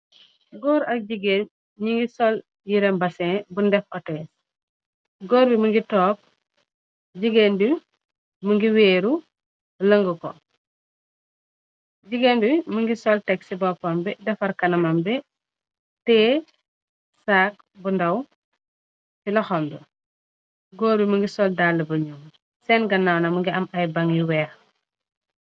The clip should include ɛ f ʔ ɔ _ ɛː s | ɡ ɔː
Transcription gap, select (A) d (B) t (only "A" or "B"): B